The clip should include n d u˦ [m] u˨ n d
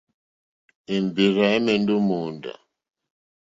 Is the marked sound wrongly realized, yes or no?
no